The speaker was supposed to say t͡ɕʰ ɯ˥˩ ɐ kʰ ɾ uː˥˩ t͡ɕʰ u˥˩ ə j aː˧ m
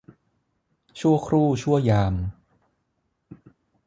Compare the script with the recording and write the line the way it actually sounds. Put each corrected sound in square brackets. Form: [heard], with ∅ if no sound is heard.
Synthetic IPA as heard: t͡ɕʰ [u˥˩] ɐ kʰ ɾ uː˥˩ t͡ɕʰ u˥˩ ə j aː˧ m